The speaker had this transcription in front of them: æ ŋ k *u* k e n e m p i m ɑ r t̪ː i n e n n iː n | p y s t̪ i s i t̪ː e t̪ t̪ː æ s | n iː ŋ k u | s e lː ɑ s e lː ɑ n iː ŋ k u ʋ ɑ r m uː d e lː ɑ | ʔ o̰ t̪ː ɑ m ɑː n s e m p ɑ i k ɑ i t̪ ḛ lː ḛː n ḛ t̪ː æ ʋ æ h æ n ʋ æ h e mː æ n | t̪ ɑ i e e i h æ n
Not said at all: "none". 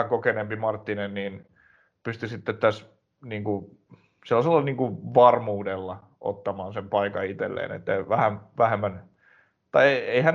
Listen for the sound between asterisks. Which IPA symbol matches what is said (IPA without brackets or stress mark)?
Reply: o